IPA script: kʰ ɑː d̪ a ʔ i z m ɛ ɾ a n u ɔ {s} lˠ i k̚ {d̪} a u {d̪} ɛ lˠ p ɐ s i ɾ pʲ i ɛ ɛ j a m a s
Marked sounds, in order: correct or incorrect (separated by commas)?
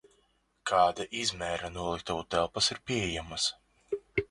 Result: incorrect, incorrect, incorrect